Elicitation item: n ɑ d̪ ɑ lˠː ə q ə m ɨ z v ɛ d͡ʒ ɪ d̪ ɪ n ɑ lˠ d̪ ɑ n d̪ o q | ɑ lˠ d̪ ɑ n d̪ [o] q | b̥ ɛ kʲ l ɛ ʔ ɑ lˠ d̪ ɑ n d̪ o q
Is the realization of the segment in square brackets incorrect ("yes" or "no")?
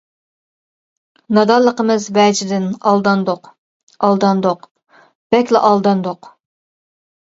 no